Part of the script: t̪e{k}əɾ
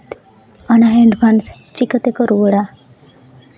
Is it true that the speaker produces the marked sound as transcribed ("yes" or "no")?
yes